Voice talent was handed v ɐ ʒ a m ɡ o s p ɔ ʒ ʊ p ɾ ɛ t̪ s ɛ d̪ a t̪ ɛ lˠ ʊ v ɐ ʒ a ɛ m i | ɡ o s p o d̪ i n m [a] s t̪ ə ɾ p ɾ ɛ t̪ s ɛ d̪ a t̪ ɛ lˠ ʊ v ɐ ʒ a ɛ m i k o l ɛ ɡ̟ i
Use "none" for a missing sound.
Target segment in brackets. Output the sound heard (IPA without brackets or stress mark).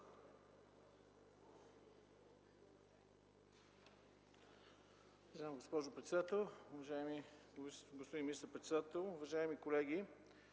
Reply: i